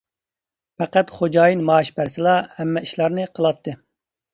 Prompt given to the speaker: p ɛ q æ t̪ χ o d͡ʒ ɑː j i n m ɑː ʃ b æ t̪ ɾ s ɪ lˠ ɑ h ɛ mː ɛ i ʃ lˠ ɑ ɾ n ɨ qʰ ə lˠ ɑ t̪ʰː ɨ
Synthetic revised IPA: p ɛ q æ t̪ χ o d͡ʒ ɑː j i n m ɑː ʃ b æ ɾ s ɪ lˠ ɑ h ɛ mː ɛ i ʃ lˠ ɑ ɾ n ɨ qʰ ə lˠ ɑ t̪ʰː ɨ

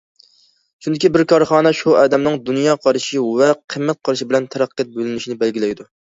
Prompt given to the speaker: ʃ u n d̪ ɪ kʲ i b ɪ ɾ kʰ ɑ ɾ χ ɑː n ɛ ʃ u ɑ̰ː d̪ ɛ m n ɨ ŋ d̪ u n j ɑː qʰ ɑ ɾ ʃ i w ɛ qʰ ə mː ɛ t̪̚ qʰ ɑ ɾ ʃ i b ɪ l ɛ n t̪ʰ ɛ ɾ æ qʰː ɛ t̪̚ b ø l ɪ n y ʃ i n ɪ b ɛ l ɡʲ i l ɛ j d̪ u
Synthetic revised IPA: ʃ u n d̪ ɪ kʲ i b ɪ ɾ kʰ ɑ ɾ χ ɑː n ɛ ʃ u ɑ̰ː d̪ ɛ m n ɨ ŋ d̪ u n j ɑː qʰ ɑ ɾ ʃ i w ɛ qʰ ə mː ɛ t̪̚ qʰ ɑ ɾ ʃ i b ɪ l ɛ n t̪ʰ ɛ ɾ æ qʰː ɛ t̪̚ b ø l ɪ n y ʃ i n ɪ b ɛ l ɡʲ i l ɛ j d̪ u

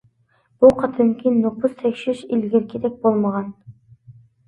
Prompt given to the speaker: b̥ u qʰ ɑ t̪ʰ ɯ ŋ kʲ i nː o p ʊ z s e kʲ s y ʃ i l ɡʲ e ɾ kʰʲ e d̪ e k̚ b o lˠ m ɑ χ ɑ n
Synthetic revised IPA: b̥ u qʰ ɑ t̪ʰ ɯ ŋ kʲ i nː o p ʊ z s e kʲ ʃ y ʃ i l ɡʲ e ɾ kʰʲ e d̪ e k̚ b o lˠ m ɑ ʁ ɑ n

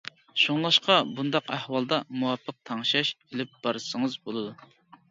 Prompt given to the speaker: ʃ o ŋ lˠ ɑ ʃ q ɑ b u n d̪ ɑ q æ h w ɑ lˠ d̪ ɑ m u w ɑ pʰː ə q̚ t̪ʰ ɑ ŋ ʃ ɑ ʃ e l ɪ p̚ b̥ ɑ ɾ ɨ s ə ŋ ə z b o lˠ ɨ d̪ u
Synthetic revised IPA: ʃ o ŋ lˠ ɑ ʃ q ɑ b u n d̪ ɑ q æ h w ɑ lˠ d̪ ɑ m u w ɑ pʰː ə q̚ t̪ʰ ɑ ŋ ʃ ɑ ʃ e l ɪ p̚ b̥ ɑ ɾ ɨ s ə ŋ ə z b o lˠ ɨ d̪ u

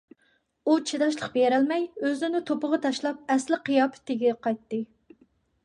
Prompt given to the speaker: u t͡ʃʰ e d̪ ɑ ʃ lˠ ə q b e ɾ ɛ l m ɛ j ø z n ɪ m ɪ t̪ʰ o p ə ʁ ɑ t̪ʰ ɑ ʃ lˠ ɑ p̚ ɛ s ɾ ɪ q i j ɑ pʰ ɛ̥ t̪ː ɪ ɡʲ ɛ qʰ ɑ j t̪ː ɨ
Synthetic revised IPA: u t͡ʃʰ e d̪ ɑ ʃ lˠ ə q b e ɾ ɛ l m ɛ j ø z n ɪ n ɪ t̪ʰ o p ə ʁ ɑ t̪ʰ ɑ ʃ lˠ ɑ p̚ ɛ s l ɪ q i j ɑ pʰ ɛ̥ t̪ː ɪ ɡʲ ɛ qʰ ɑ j t̪ː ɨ

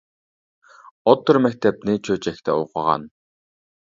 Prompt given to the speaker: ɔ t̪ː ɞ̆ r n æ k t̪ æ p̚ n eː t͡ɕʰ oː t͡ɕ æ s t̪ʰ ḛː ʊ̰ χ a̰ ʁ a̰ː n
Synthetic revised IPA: ɔ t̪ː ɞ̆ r m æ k t̪ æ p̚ n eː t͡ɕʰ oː t͡ɕ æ x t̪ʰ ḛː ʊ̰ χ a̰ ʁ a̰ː n

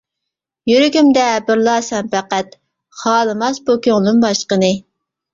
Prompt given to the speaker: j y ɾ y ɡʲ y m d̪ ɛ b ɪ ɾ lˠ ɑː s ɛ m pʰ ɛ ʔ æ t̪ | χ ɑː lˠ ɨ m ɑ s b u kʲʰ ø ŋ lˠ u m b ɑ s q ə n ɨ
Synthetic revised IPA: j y ɾ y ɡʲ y m d̪ ɛ b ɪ ɾ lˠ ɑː s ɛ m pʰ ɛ q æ t̪ | χ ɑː lˠ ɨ m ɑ s b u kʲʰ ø ŋ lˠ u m b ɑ ʃ q ə n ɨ

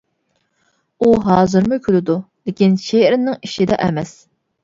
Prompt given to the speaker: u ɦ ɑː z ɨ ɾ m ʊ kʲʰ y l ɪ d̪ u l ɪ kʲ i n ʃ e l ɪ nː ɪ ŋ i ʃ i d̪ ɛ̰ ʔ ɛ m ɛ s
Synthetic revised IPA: u ɦ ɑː z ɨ ɾ m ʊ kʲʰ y l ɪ d̪ u l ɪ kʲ i n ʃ e ɾ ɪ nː ɪ ŋ i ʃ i d̪ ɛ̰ ʔ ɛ m ɛ s

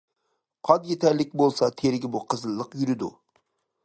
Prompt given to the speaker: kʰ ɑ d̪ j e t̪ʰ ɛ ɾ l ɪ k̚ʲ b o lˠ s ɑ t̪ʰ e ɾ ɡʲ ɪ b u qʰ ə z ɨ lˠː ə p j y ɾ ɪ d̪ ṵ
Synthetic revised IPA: qʰ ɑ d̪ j e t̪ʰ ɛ ɾ l ɪ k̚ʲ b o lˠ s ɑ t̪ʰ e ɾ ɡʲ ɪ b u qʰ ə z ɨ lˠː ə q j y ɾ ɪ d̪ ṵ

